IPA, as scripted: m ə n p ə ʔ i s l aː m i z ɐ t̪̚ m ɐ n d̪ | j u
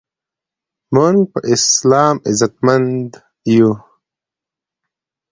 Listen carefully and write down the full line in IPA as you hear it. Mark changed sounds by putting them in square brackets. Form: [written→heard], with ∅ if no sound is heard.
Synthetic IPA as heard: m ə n p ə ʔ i s l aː m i z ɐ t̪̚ m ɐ n d̪ | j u